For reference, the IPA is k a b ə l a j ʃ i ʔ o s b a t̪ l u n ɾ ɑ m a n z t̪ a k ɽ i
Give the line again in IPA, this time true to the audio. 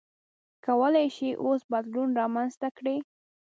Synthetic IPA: k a w ə l a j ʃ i ʔ o s b a d̪ l u n ɾ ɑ m a n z t̪ a k ɽ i